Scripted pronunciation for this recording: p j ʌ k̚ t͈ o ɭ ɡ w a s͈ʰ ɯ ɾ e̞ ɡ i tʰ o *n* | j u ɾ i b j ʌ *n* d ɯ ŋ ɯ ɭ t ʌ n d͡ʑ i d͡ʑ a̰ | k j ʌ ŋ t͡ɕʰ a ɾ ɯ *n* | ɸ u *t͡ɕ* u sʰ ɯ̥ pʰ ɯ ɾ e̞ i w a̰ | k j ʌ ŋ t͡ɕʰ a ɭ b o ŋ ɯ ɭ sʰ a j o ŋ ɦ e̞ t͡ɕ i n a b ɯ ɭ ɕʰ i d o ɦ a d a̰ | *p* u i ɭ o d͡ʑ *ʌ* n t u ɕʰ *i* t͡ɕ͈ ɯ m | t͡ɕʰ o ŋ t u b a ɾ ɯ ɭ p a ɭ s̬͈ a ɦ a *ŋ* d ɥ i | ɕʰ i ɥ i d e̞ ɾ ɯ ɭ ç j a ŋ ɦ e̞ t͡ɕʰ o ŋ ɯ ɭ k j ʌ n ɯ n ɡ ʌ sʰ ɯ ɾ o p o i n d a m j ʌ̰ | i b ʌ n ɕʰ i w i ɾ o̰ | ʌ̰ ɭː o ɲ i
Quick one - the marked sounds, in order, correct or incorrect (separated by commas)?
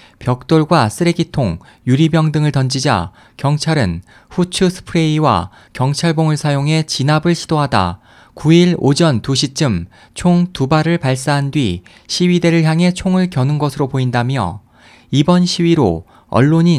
incorrect, incorrect, correct, incorrect, incorrect, correct, correct, incorrect